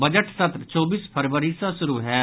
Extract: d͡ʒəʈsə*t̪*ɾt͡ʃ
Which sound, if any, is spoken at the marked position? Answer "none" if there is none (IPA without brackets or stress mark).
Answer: t̪